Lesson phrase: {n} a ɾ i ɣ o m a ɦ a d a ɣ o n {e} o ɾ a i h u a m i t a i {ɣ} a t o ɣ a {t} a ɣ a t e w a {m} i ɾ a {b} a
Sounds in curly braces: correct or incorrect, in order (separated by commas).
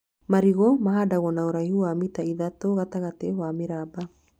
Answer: incorrect, incorrect, incorrect, correct, correct, correct